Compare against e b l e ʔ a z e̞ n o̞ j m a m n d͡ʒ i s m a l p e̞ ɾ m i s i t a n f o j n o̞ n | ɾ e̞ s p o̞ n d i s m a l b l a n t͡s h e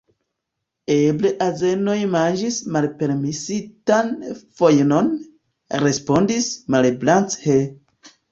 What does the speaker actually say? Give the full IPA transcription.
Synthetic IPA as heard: e b l e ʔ a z e̞ n o̞ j m a n d͡ʒ i s m a l p e̞ ɾ m i s i t a n f o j n o̞ n | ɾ e̞ s p o̞ n d i s m a l b l a n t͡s h e

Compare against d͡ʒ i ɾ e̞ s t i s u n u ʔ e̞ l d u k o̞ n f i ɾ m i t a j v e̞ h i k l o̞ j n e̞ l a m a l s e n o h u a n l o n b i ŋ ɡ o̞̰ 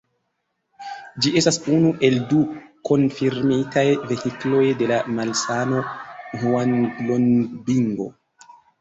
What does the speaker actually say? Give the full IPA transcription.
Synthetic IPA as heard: d͡ʒ i e̞ s t a s u n u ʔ e̞ l d u k o̞ n f i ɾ m i t a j v e̞ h i k l o̞ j d e̞ l a m a l s a n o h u a n l o n b i ŋ ɡ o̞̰

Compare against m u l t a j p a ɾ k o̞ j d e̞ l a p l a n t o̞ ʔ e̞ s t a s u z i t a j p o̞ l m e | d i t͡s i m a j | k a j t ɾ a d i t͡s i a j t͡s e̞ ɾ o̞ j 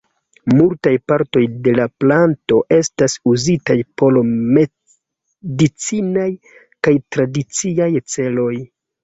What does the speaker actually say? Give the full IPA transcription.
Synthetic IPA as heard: m u l t a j p a ɾ t o̞ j d e̞ l a p l a n t o̞ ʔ e̞ s t a s u z i t a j p o̞ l m e | d i t͡s i n a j | k a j t ɾ a d i t͡s i a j t͡s e̞ l o̞ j

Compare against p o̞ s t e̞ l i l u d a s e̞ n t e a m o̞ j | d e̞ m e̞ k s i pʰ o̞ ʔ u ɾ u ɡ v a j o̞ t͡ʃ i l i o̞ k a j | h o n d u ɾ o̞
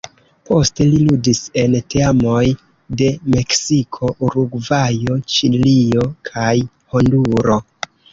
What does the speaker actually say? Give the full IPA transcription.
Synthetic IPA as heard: p o̞ s t e̞ l i l u d i s e̞ n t e a m o̞ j | d e̞ m e̞ k s i kʰ o̞ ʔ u ɾ u ɡ v a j o̞ t͡ʃ i l i o̞ kʰ a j | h o n d u ɾ o̞

